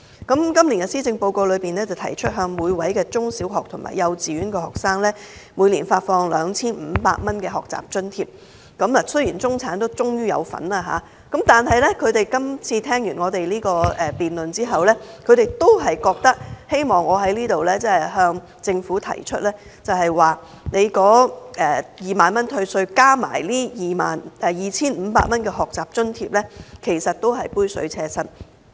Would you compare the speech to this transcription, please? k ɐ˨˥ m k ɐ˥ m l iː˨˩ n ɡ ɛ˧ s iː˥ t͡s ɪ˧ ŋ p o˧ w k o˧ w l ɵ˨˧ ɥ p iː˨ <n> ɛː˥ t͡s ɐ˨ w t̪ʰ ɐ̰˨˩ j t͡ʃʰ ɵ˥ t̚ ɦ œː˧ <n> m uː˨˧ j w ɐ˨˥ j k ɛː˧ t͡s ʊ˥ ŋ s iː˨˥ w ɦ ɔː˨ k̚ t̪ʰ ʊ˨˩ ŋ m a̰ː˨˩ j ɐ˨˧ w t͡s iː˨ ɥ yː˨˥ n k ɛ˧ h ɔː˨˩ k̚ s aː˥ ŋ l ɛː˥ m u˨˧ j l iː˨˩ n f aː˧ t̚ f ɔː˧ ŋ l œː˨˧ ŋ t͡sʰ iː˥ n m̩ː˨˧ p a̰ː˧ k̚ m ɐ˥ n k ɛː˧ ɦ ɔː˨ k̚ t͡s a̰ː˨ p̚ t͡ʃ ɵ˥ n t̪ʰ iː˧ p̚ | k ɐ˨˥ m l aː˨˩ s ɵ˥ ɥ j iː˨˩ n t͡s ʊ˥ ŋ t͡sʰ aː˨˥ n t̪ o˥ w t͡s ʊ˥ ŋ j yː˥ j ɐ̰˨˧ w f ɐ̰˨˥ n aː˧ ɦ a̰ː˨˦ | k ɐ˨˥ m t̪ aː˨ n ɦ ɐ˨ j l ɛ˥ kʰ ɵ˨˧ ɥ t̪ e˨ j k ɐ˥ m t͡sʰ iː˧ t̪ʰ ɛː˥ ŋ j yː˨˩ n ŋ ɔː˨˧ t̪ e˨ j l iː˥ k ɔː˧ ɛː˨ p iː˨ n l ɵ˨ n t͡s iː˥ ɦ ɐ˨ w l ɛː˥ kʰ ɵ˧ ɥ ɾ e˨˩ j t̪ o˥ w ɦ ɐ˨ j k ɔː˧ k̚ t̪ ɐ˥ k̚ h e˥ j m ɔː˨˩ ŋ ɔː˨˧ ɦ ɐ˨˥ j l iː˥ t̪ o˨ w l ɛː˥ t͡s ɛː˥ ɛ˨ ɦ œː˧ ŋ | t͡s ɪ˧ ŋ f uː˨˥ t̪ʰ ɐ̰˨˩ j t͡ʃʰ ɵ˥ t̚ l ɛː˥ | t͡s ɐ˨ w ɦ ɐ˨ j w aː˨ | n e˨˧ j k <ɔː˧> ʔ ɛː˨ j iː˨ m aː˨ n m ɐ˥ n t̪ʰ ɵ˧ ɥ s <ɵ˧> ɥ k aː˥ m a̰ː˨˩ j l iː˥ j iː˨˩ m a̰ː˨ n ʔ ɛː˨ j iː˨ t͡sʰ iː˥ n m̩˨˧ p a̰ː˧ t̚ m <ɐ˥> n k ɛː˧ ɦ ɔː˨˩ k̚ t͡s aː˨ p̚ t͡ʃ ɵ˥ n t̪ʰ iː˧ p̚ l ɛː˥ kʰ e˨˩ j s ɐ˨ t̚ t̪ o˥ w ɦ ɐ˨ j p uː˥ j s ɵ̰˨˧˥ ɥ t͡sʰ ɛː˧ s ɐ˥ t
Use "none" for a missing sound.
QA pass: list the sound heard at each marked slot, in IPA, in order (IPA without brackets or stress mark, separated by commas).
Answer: n, ŋ, ɔː˨˥, ɵ˧, ɐ˥